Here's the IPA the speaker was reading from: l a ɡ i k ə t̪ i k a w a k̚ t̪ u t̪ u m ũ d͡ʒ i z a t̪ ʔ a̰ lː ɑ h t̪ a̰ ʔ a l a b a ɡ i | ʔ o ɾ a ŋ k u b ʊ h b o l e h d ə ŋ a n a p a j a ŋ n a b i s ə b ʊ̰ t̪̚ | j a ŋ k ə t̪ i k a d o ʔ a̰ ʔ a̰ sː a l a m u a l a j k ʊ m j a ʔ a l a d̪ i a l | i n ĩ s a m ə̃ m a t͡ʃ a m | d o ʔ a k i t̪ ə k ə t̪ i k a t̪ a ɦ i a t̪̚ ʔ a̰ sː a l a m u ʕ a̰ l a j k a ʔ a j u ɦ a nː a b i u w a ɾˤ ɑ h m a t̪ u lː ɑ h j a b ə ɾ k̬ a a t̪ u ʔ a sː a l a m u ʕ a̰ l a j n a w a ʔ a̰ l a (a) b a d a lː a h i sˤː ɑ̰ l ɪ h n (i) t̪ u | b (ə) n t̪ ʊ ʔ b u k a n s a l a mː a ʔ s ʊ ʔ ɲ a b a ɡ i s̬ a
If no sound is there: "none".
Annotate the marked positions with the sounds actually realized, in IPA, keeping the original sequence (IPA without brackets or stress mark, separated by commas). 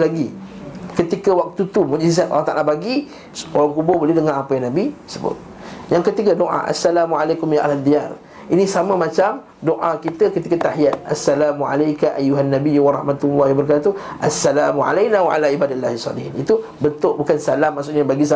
i, i, ə